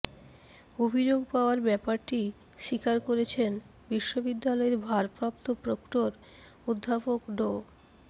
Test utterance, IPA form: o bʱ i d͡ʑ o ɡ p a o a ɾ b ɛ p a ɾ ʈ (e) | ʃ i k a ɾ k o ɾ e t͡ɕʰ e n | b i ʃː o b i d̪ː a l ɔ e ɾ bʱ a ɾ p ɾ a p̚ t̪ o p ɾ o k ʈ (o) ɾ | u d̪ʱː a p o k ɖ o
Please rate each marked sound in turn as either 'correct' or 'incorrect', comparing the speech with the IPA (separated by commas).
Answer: incorrect, correct